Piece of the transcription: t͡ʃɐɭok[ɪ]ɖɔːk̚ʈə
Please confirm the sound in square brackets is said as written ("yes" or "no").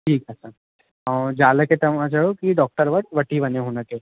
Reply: no